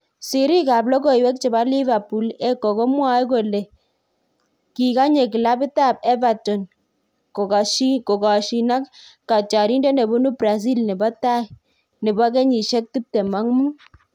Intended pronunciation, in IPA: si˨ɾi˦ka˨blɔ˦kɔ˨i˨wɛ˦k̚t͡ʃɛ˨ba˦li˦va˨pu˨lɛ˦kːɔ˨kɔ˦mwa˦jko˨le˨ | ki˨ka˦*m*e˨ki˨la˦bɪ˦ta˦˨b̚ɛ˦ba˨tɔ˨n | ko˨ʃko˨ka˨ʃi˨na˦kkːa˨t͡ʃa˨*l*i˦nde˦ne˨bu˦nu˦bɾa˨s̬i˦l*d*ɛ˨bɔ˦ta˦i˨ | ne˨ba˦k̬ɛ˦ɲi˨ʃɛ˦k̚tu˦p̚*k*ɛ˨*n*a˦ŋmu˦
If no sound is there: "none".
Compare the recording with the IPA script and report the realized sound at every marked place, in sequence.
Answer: ɲ, ɾ, n, t, m

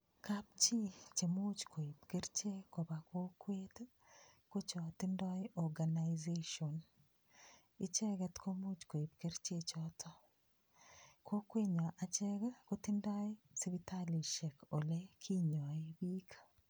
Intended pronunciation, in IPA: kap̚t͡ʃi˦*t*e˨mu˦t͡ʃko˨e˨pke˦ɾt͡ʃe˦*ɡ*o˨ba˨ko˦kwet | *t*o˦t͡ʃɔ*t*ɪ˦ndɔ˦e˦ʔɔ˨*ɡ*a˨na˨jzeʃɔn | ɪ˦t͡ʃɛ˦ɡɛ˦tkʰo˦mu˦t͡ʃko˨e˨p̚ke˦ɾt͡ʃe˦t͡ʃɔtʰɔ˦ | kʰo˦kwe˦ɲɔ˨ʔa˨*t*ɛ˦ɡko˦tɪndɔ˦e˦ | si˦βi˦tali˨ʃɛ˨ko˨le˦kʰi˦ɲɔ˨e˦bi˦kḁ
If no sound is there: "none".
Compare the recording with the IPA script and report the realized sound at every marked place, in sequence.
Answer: t͡ʃ, k, k, t, ɡ, t͡ʃ

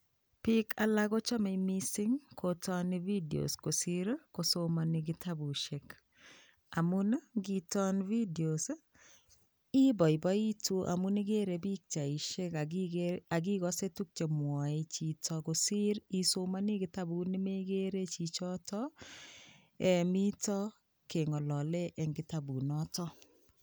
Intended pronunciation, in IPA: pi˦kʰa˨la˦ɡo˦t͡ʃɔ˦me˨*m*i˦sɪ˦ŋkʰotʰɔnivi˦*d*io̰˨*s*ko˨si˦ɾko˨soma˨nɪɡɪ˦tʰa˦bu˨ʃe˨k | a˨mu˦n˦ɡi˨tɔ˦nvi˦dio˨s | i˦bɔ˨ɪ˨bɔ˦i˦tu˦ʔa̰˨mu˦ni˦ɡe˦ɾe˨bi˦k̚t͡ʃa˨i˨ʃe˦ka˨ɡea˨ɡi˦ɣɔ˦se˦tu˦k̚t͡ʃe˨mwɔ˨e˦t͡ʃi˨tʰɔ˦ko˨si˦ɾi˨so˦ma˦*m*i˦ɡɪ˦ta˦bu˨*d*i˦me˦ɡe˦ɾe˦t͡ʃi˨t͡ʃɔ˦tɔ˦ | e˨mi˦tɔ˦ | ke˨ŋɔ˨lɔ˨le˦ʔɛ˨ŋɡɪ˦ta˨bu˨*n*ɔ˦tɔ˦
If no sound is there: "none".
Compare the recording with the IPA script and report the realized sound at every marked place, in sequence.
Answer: m, d, s, n, n, n

